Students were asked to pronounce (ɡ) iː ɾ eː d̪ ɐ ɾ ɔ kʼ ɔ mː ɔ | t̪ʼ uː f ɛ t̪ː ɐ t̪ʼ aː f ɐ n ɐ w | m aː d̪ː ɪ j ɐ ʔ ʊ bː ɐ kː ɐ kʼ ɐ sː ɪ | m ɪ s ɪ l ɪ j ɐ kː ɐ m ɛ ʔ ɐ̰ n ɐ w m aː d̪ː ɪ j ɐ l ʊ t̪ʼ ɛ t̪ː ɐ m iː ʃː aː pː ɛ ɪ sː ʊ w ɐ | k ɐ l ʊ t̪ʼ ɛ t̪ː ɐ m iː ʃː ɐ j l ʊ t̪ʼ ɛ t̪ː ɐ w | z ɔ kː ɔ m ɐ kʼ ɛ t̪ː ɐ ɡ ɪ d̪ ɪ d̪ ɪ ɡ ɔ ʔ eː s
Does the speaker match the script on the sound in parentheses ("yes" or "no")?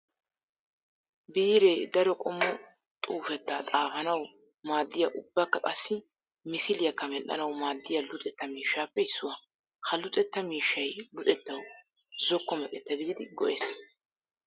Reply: no